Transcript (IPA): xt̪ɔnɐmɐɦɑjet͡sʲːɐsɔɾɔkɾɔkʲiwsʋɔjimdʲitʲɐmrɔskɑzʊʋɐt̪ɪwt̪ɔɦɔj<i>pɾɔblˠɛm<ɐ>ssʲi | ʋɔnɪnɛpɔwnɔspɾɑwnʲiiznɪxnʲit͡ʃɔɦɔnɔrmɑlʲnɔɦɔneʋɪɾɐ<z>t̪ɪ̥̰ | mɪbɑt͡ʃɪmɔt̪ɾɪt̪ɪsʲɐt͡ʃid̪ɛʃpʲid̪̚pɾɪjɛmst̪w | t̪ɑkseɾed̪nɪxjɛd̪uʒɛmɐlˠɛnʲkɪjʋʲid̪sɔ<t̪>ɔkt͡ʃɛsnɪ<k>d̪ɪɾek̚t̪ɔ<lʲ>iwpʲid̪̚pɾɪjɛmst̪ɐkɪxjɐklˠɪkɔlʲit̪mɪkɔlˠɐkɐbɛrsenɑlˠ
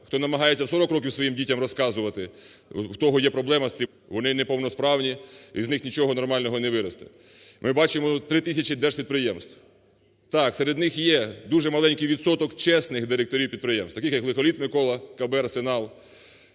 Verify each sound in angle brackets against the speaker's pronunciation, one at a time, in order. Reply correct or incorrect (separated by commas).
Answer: incorrect, correct, incorrect, correct, incorrect, incorrect